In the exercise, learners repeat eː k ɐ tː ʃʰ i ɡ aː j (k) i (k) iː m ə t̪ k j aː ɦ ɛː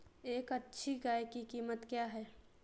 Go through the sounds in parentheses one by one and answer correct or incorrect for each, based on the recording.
correct, correct

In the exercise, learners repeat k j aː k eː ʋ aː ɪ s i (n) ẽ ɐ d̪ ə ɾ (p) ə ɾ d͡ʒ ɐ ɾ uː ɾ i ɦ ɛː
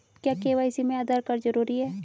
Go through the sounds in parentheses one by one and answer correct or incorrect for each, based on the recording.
incorrect: m, incorrect: k

